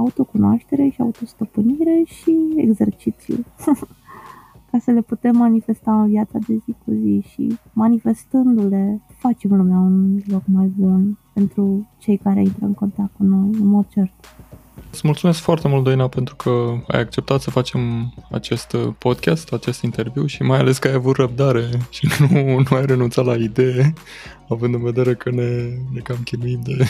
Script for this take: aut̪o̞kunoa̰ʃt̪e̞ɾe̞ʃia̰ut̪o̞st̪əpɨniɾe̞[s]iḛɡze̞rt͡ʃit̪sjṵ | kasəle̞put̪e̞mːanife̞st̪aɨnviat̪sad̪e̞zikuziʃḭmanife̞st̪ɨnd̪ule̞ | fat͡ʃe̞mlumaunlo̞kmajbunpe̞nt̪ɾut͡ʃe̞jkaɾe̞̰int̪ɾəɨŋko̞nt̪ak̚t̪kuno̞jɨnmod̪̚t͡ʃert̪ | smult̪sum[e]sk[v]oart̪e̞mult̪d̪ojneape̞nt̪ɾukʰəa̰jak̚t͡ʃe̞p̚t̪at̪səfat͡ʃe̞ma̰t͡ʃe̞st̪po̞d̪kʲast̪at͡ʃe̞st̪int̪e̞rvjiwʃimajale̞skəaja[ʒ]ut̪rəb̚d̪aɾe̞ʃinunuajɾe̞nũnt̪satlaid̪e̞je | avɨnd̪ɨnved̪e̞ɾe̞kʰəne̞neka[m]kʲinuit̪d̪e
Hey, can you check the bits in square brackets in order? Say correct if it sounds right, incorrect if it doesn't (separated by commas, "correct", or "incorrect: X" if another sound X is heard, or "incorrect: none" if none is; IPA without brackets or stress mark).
incorrect: ʃ, correct, incorrect: f, incorrect: v, correct